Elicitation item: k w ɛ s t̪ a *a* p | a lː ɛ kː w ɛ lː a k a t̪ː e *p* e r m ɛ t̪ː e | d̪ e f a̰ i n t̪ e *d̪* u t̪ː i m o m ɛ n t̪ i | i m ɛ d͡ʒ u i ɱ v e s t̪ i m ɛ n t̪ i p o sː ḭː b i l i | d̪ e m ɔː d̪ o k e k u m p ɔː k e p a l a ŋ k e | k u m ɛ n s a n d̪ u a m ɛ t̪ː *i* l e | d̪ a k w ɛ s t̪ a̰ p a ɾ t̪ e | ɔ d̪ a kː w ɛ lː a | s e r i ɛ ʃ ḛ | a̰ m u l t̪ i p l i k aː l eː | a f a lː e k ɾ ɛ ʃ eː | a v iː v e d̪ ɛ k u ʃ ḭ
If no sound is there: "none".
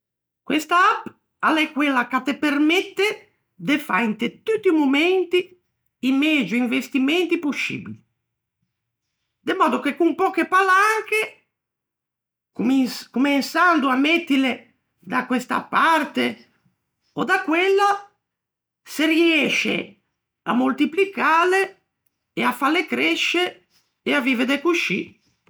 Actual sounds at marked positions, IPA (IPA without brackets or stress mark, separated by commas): a, p, t̪, i